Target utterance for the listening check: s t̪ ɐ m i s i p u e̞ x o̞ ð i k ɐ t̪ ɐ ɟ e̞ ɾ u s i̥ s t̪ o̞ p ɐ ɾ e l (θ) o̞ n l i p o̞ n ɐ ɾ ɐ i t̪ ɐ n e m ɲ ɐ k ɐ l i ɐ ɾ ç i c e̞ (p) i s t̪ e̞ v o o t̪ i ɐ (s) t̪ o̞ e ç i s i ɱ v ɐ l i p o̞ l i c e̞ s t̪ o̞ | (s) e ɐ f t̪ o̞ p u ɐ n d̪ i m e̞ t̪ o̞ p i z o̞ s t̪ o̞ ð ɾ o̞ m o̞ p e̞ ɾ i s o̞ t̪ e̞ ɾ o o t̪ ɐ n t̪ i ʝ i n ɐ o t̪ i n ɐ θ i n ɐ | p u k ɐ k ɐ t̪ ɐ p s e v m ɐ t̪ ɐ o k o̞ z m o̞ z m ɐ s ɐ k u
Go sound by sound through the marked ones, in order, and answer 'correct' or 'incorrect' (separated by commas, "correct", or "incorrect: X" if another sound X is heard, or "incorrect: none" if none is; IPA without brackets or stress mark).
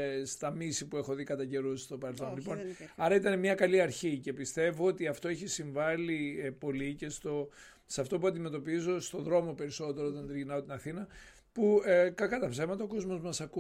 correct, correct, incorrect: f, correct